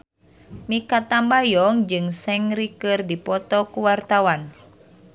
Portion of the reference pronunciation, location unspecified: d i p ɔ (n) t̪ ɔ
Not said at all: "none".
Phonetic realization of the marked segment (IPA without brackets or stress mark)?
none